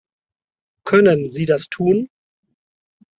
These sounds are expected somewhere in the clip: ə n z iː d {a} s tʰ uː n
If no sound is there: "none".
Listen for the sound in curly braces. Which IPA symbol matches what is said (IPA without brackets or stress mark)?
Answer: a